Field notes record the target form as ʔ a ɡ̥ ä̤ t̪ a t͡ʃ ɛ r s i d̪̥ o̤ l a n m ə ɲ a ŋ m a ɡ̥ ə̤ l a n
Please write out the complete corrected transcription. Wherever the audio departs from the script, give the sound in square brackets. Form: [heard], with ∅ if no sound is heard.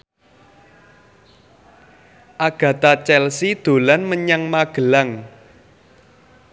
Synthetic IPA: ʔ a ɡ̥ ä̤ t̪ a t͡ʃ ɛ [l] s i d̪̥ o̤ l a n m ə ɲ a ŋ m a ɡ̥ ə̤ l a [ŋ]